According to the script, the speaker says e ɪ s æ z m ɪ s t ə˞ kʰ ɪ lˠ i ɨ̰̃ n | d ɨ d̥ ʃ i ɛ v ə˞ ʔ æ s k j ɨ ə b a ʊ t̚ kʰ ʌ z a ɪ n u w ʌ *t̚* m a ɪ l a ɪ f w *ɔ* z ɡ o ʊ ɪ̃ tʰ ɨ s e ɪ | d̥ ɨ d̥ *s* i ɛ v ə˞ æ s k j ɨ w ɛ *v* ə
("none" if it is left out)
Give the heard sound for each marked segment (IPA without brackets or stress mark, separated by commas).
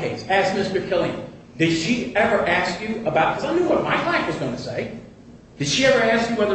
t̚, ʌ, ʃ, ð